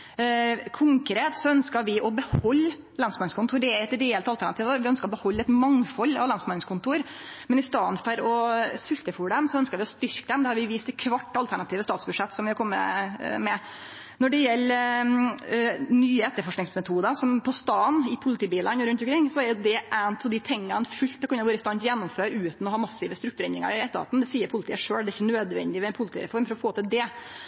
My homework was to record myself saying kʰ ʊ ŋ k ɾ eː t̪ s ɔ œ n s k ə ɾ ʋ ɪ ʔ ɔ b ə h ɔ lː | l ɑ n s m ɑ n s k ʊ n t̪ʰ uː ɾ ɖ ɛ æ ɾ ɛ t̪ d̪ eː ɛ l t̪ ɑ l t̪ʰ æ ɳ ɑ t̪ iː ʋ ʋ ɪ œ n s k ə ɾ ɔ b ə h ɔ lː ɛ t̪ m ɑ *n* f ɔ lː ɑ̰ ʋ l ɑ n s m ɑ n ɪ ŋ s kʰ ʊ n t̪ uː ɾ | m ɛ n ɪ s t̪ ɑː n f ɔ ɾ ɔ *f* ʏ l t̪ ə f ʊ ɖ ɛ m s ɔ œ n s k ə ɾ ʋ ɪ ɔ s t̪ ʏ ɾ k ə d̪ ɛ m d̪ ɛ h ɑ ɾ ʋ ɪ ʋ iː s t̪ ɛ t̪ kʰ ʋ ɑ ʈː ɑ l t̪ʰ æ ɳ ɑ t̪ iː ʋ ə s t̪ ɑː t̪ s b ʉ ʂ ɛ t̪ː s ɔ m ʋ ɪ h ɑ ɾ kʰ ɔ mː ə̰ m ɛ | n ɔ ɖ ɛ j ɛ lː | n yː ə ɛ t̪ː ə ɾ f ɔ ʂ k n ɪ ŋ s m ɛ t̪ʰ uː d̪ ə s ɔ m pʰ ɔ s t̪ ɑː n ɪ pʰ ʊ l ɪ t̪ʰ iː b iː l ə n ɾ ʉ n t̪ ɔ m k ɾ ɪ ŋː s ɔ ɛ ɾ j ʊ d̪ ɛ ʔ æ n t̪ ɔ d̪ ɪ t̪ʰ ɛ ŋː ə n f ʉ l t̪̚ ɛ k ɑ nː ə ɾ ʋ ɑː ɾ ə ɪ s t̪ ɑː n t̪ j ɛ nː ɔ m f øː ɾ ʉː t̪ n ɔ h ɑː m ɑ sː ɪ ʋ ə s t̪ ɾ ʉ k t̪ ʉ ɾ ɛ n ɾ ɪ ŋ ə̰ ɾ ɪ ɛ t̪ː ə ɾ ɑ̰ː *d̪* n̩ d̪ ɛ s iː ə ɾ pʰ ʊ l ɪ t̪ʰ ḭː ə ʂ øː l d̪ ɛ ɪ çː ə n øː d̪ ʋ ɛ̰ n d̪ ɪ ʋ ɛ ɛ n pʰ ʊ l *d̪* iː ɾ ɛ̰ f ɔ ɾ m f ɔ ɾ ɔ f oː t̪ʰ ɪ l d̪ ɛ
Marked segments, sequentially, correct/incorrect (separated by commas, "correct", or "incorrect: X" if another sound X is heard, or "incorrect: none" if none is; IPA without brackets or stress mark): incorrect: ŋ, incorrect: s, incorrect: t̪, incorrect: t̪